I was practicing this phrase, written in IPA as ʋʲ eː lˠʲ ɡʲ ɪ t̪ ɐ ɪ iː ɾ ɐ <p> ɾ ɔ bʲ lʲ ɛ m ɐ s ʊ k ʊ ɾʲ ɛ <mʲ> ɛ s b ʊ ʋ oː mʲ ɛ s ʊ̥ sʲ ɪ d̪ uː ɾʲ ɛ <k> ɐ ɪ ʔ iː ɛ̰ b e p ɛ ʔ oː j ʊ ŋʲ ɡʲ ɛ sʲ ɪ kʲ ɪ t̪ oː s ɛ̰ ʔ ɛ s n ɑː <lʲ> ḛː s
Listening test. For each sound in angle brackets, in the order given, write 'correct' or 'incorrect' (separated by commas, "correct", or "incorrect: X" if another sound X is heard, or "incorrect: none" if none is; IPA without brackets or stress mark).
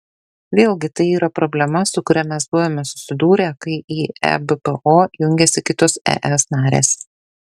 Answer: correct, correct, correct, incorrect: ɾʲ